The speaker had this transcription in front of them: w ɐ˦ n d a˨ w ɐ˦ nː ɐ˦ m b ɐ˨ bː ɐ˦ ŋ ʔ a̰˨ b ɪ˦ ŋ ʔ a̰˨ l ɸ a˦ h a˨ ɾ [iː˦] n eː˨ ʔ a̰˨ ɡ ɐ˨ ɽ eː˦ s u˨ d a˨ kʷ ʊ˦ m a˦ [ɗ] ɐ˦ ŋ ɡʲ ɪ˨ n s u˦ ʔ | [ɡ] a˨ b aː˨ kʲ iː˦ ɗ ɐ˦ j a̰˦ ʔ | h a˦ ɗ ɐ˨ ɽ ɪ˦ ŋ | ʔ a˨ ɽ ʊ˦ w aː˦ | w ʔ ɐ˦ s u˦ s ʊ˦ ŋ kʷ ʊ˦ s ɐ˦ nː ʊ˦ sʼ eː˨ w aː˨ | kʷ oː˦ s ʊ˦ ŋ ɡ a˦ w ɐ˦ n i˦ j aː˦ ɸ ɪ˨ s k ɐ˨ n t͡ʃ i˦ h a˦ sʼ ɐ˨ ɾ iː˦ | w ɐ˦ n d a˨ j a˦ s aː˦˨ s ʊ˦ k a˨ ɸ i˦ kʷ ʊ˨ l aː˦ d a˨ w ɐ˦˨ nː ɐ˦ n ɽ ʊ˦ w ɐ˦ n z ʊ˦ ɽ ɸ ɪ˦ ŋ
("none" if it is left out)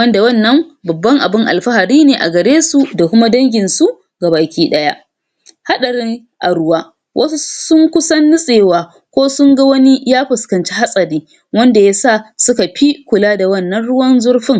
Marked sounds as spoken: iː˦, d, ɡ

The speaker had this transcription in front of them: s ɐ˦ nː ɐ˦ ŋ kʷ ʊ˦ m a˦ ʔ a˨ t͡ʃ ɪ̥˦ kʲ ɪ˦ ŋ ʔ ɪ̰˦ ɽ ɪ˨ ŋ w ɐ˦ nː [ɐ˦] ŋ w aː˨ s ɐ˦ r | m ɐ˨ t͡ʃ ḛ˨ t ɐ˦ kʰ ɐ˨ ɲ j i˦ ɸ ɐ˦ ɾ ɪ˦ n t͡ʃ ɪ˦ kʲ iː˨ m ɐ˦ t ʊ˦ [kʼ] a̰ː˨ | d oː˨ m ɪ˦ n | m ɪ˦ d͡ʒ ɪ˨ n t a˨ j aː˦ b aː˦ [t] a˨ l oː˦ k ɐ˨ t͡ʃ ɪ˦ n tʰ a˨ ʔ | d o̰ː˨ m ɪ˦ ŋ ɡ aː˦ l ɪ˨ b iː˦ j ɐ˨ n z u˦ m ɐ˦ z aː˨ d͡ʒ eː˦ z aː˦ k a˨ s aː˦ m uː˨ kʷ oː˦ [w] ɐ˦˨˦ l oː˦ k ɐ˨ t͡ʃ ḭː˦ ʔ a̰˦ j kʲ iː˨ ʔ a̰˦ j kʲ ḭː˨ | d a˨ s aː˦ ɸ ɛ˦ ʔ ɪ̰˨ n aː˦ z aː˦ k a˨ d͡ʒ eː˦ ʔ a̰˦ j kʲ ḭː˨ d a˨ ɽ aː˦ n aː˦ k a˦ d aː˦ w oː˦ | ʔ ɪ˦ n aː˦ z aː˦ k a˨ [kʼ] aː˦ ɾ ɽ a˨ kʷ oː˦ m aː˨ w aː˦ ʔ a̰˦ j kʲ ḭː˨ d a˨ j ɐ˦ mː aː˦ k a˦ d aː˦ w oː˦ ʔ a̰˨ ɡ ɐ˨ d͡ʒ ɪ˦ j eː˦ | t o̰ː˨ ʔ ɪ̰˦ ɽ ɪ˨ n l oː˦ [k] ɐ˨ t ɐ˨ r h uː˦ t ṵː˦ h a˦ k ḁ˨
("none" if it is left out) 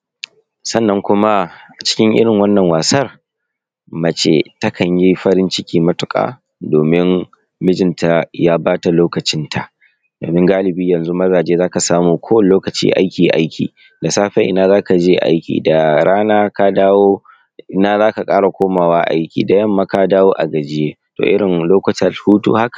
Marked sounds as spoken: ɐ˨, kʼ, t, w, kʼ, k

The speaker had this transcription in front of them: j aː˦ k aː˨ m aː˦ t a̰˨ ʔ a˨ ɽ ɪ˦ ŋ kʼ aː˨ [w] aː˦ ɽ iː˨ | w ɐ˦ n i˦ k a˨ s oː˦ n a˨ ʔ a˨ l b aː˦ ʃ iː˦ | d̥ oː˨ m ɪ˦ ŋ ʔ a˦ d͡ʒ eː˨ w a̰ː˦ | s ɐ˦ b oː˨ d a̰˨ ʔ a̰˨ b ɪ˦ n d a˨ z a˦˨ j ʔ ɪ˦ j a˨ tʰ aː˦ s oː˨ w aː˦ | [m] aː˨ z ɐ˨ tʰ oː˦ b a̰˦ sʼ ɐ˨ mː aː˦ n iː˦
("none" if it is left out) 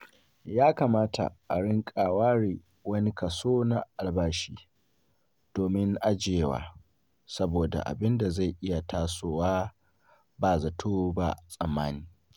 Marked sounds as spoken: w, b

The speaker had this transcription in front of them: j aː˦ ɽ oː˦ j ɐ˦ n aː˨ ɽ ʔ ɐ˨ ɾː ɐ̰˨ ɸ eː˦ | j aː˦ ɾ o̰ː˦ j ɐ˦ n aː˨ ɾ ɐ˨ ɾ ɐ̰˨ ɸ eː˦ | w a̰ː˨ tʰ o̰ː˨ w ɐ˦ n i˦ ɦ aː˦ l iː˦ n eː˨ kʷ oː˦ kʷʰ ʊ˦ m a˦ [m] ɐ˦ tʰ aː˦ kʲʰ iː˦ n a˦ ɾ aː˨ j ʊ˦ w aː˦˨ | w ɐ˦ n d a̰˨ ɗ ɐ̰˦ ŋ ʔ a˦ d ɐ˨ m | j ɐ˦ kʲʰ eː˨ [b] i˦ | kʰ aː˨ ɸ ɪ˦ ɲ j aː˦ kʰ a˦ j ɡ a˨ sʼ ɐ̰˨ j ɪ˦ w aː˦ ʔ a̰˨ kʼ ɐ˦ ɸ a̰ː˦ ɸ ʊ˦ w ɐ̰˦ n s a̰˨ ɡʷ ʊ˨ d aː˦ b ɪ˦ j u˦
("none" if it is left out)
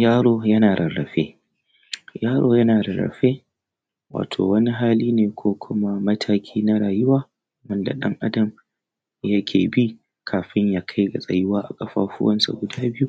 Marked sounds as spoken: m, b

